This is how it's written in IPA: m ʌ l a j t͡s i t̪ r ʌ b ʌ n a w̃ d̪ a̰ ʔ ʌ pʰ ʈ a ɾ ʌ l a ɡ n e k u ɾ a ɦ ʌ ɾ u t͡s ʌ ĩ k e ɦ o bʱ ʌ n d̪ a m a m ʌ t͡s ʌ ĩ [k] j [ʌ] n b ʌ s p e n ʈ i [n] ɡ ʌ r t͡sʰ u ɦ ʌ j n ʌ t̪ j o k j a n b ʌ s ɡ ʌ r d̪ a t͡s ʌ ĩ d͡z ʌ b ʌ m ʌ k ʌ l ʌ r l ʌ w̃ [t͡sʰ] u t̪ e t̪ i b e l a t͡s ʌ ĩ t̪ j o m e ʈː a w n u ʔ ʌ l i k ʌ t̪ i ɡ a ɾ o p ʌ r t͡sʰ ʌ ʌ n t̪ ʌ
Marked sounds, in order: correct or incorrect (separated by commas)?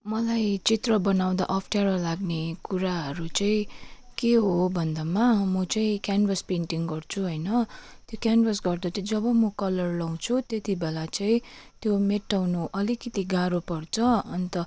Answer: correct, incorrect, incorrect, correct